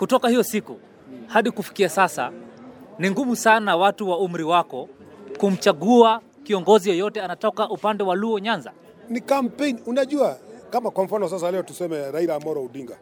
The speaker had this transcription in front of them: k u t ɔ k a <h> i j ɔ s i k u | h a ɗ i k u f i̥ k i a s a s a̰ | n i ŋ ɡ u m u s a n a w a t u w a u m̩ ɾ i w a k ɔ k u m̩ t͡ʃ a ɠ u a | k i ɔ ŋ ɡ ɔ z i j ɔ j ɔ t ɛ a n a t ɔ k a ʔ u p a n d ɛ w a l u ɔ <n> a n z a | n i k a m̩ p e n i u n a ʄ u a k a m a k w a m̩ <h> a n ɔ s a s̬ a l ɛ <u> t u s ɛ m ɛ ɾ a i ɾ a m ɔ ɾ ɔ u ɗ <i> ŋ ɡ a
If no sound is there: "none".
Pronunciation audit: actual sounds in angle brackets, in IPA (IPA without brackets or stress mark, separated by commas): h, ɲ, f, ɔ, i